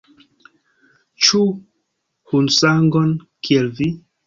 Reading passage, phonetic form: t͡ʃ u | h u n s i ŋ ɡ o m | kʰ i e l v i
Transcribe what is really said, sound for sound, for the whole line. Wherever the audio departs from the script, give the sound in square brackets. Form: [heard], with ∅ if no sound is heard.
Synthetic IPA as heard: t͡ʃ u | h u n s [a] ŋ ɡ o [n] | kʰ i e l v i